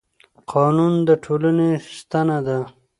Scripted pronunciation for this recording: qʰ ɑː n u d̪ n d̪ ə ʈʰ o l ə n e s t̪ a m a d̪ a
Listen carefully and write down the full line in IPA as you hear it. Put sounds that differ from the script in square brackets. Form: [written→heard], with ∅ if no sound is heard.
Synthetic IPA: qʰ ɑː n u [d̪→∅] n d̪ ə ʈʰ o l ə n e s t̪ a [m→n] a d̪ a